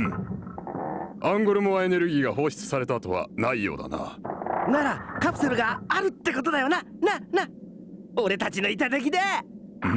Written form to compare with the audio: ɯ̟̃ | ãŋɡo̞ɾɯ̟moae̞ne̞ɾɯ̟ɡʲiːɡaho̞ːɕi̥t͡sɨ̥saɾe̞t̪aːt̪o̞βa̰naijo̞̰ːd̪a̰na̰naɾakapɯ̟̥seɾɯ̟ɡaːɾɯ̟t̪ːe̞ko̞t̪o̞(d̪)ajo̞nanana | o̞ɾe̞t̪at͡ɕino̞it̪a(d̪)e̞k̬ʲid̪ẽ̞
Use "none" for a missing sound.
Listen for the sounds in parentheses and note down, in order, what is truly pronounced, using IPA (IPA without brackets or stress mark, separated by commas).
d̪, t̪